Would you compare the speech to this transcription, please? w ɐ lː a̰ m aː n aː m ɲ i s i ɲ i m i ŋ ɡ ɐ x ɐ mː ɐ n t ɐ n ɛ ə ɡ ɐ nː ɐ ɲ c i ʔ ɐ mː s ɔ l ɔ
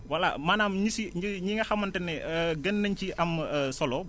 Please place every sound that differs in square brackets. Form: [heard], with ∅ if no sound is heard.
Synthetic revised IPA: w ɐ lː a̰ m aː n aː m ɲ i s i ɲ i [ɲ] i ŋ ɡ ɐ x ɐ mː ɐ n t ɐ n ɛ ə ɡ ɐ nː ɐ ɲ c i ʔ ɐ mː s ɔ l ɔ